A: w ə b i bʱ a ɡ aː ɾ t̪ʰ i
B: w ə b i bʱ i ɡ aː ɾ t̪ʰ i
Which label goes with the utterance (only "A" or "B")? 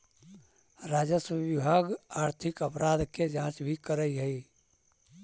A